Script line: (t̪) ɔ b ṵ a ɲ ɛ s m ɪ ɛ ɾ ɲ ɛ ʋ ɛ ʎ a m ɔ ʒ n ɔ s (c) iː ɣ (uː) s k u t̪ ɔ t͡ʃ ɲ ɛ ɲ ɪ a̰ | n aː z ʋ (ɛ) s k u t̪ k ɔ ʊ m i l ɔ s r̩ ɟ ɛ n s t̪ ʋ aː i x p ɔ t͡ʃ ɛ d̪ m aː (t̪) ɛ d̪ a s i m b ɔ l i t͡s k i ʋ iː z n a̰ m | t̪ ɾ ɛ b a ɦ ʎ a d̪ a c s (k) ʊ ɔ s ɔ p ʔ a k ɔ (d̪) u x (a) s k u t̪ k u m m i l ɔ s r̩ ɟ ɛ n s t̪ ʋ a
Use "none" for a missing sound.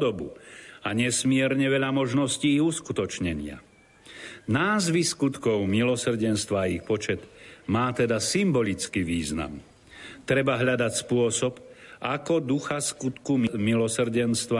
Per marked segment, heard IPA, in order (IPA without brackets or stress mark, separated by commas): d̪, c, u, i, t̪, p, d̪, a